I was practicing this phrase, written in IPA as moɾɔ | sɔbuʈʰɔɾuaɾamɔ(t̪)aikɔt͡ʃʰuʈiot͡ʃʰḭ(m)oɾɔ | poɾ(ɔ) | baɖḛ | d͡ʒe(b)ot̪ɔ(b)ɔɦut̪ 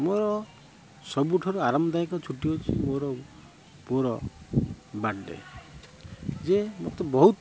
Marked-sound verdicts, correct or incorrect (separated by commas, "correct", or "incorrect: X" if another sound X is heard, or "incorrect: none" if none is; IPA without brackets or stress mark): incorrect: d̪, correct, correct, incorrect: m, correct